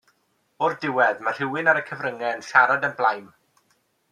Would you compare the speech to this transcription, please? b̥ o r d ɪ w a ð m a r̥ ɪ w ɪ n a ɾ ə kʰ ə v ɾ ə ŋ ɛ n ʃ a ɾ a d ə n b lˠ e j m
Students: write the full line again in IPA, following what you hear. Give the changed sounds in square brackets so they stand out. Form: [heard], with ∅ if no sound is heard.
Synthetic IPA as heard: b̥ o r d ɪ w [ɛ] ð m a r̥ ɪ w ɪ n a ɾ ə kʰ ə v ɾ ə ŋ ɛ n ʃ a ɾ a d ə n b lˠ [a] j m